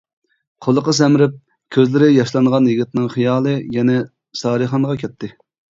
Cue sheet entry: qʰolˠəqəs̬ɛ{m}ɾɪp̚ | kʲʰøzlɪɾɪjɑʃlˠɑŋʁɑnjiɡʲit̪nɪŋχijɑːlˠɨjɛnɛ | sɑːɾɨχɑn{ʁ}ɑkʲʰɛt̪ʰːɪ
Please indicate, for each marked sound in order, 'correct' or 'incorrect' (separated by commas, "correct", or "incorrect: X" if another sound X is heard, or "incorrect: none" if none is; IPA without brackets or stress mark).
correct, correct